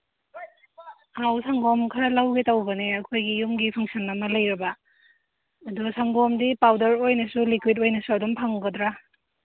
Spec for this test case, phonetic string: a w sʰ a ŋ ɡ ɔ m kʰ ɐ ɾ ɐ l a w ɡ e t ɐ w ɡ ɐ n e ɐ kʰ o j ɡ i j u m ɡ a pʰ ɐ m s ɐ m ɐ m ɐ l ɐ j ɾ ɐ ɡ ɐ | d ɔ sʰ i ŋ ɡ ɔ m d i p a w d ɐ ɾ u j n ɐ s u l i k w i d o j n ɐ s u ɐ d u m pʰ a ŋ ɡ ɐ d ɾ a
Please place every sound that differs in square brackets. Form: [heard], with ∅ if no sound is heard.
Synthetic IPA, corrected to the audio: a w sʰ a ŋ ɡ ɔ m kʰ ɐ ɾ ɐ l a w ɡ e t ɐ w [b] ɐ n e ɐ kʰ o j ɡ i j u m ɡ [i] pʰ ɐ [ŋ] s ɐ [n] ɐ m ɐ l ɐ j ɾ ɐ [b] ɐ | d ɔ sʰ [a] ŋ ɡ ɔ m d i p a w d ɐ ɾ [o] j n ɐ s u l i k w i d o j n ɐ s u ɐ d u m pʰ a ŋ ɡ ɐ d ɾ a